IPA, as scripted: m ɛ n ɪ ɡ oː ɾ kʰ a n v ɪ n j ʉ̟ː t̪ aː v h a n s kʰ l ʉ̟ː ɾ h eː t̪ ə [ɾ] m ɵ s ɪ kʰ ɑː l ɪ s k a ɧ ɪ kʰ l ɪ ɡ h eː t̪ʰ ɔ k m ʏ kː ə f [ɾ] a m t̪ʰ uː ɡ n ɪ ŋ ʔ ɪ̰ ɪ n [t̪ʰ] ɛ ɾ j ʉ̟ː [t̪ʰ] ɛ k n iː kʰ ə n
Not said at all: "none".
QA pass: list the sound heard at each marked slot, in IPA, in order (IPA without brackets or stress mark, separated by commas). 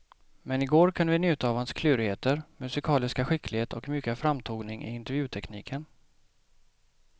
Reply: ɾ, ɾ, t̪, t̪ʰ